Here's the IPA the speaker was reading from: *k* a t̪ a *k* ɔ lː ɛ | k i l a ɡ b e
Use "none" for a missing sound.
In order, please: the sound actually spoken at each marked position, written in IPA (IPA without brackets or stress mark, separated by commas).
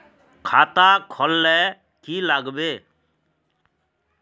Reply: kʰ, kʰ